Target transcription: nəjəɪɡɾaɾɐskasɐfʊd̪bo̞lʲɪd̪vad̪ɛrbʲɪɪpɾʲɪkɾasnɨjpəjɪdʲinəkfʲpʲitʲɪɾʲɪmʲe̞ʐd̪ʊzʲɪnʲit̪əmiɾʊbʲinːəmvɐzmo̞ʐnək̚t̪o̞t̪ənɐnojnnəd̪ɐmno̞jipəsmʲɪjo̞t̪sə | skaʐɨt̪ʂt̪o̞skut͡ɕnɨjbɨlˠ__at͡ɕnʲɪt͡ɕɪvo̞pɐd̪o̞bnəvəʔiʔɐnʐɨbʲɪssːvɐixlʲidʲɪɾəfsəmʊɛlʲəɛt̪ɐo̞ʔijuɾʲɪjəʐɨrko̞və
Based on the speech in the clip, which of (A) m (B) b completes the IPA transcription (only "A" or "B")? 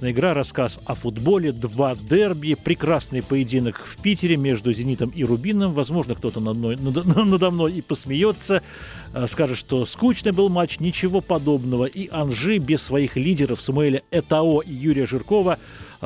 A